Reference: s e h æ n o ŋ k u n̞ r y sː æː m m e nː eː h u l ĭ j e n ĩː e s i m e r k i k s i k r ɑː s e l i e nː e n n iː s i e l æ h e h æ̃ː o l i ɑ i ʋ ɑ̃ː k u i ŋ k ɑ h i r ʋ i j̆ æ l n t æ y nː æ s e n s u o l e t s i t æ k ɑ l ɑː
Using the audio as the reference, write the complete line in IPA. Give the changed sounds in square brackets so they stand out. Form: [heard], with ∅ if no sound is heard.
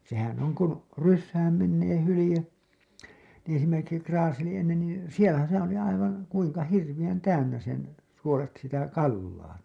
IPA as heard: s e h æ n o ŋ k u n̞ r y sː æː m m e nː eː h u l ĭ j e n ĩː e s i m e r k i k s i k r ɑː s e l i e nː e n n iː s i e l æ [s] e h æ̃ː o l i ɑ i ʋ ɑ̃ː k u i ŋ k ɑ h i r ʋ i j̆ æ [∅] n t æ y nː æ s e n s u o l e t s i t æ k ɑ [lː] ɑː